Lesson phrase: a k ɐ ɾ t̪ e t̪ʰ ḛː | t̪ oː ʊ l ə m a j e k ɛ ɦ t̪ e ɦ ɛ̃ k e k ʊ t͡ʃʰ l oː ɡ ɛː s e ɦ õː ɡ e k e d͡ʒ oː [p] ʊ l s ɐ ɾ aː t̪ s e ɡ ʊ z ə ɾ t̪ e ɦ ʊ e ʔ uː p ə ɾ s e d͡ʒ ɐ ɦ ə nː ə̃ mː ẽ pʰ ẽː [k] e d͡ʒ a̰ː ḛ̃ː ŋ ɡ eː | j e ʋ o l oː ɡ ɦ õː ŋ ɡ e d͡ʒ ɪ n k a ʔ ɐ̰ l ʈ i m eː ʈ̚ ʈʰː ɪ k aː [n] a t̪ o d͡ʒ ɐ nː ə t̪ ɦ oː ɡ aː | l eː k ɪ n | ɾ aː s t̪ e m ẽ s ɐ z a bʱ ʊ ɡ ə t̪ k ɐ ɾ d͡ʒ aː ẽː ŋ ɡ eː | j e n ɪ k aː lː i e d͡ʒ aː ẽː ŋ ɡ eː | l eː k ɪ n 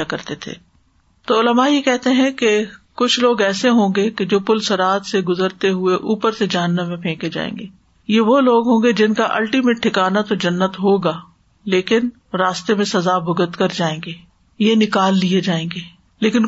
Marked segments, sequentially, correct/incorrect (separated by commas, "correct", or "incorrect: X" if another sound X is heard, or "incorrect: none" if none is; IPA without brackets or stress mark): correct, correct, correct